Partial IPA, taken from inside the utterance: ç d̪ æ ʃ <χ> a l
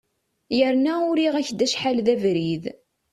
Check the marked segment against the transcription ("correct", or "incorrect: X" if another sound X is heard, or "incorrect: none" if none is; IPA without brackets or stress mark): incorrect: ħ